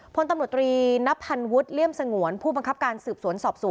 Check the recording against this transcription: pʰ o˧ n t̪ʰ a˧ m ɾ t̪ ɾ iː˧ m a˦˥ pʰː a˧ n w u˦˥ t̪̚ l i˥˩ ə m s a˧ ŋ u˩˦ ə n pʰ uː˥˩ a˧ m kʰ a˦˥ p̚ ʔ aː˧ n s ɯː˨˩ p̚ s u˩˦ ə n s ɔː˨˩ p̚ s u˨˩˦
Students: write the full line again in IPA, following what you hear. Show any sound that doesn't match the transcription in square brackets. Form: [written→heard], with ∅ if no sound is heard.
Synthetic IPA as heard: pʰ o˧ n [t̪ʰ→t̪] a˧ m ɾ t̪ ɾ iː˧ [m→n] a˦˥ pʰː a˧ n w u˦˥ t̪̚ l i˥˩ ə m s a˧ ŋ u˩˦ ə n pʰ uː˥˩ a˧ [m→ŋ] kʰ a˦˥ p̚ [ʔ→k] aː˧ n s ɯː˨˩ p̚ s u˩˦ ə n s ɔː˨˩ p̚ s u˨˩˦